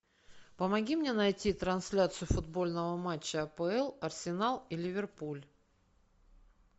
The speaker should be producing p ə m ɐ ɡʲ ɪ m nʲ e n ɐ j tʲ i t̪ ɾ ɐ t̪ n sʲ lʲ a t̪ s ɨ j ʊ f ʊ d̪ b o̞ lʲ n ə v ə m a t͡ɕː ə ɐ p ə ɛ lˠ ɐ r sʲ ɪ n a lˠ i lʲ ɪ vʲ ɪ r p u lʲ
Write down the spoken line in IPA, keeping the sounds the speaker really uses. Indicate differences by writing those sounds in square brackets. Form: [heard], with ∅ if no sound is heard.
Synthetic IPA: p ə m ɐ ɡʲ [i] m nʲ e n ɐ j tʲ i t̪ ɾ ɐ [∅] n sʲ lʲ a t̪ s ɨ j ʊ f ʊ d̪ b o̞ lʲ n ə v ə m a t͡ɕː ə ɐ p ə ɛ lˠ ɐ r sʲ ɪ n a lˠ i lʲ ɪ vʲ ɪ r p u lʲ